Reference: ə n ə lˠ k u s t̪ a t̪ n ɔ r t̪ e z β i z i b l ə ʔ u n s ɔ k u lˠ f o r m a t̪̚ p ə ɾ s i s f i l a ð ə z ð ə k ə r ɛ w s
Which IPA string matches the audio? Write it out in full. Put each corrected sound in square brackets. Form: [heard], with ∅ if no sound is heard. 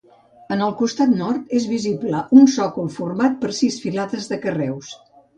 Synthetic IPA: ə n ə lˠ k u s t̪ a t̪ n ɔ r t̪ e z β i z i b l ə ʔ u n s ɔ k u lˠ f [u] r m a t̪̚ p ə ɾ s i s f i l a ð ə z ð ə k ə r ɛ w s